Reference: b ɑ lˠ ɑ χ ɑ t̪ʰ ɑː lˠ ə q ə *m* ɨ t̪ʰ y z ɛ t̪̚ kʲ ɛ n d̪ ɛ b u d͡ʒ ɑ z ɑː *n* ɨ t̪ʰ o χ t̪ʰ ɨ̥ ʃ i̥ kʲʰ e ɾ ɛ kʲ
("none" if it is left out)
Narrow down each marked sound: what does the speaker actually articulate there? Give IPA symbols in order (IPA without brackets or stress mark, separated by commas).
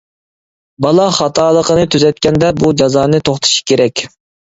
n, n